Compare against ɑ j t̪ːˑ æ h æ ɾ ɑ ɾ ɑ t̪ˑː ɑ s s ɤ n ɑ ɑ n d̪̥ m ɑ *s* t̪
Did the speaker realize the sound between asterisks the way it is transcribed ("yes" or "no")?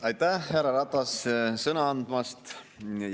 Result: yes